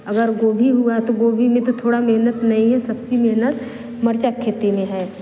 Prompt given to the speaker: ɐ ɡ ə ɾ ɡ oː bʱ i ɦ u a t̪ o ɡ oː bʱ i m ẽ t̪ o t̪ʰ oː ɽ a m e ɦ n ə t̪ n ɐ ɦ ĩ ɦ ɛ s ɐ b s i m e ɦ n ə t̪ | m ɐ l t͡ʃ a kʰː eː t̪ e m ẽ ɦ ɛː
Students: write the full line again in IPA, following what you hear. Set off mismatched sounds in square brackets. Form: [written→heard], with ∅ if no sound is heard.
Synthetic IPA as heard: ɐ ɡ ə ɾ ɡ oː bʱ i ɦ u a t̪ o ɡ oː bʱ i m ẽ t̪ o t̪ʰ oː ɽ a m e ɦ n ə t̪ n ɐ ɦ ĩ ɦ ɛ s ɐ b s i m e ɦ n ə t̪ | m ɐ [l→ɾ] t͡ʃ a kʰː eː t̪ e m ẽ ɦ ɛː